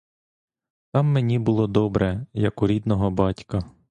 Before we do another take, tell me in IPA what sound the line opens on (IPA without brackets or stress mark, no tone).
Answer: t̪